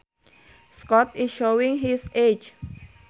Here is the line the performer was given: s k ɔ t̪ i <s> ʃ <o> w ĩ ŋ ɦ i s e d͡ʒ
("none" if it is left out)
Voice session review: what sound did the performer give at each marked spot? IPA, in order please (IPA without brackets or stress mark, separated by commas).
s, o